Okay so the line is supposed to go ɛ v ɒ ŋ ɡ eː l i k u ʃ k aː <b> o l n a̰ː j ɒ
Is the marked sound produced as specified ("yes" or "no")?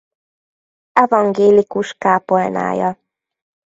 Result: no